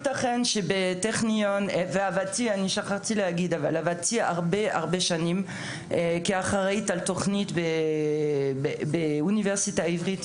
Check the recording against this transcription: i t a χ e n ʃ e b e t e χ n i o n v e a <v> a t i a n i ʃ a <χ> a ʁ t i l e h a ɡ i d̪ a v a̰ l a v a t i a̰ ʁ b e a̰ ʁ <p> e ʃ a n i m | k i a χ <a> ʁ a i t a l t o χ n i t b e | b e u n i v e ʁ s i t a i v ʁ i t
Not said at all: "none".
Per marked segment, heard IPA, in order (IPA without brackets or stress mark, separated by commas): v, χ, b, a